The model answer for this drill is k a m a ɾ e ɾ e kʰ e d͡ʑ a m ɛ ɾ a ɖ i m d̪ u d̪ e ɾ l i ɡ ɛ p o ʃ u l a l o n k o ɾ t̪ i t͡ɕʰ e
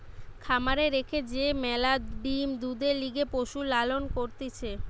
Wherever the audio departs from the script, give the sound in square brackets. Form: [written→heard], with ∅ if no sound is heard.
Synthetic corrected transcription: [k→kʰ] a m a ɾ e ɾ e kʰ e d͡ʑ [a→e] m ɛ [ɾ→l] a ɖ i m d̪ u d̪ e ɾ l i ɡ [ɛ→e] p o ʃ u l a l o n k o ɾ t̪ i t͡ɕʰ e